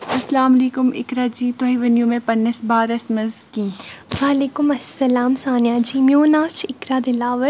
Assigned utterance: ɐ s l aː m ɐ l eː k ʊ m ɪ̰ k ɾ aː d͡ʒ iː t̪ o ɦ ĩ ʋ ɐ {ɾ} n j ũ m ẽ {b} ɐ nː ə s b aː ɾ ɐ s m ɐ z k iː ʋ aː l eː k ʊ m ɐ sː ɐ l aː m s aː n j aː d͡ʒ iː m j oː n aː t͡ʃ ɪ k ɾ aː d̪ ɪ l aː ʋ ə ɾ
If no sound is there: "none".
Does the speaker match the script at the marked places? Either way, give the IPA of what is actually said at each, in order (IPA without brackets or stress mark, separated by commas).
none, p